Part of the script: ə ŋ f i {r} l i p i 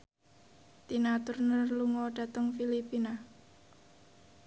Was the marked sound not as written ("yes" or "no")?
yes